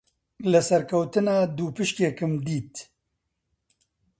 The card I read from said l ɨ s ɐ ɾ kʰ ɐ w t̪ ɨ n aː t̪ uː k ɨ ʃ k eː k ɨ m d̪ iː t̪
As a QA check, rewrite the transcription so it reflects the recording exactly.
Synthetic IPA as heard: l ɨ s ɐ ɾ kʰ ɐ w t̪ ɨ n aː d̪ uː p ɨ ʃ k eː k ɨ m d̪ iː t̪

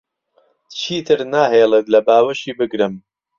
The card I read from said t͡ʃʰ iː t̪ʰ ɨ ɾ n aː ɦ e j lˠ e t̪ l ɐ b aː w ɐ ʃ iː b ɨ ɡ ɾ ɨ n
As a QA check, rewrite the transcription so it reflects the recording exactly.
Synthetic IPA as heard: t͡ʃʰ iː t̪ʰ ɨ ɾ n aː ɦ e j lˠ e t̪ l ɐ b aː w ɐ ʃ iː b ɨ ɡ ɾ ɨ m

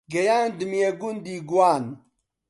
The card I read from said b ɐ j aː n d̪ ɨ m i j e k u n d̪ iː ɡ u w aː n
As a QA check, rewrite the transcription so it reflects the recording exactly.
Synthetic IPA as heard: ɡ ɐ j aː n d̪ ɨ m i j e ɡ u n d̪ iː ɡ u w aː n

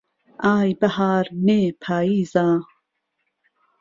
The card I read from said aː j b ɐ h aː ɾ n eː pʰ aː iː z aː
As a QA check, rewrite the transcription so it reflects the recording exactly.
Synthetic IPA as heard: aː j b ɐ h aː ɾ n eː pʰ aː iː z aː

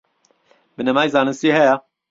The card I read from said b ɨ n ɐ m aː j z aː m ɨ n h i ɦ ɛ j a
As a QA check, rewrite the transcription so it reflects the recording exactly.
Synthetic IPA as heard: b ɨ n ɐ m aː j z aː n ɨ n s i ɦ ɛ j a

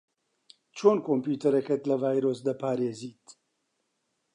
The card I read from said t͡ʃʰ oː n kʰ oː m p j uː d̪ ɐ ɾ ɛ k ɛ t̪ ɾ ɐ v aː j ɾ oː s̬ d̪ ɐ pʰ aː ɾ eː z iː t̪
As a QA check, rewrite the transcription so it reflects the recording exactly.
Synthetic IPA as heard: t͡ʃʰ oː n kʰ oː m p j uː t̪ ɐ ɾ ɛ k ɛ t̪ l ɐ v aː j ɾ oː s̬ d̪ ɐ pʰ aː ɾ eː z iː t̪

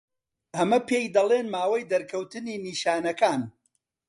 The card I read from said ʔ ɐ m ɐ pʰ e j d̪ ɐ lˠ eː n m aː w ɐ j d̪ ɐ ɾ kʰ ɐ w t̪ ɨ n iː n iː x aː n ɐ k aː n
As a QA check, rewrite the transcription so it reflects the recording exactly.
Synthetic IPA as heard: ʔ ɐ m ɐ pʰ e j d̪ ɐ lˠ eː n m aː w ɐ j d̪ ɐ ɾ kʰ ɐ w t̪ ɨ n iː n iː ʃ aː n ɐ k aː n

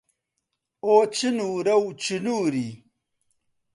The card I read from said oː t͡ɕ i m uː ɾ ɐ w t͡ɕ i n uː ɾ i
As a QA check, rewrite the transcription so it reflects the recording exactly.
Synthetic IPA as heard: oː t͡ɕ i n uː ɾ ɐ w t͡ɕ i n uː ɾ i

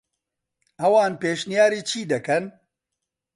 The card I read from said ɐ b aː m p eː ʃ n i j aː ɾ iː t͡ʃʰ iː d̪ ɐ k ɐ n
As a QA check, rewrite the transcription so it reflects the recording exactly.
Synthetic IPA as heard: ɐ w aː n p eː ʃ n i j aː ɾ iː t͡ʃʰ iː d̪ ɐ k ɐ n

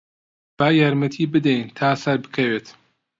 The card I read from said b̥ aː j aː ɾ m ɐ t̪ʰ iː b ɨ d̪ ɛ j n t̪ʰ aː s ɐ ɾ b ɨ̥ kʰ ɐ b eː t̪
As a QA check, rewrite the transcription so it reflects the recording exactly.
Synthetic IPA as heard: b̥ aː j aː ɾ m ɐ t̪ʰ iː b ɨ d̪ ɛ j n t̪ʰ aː s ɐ ɾ b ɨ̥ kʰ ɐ w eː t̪

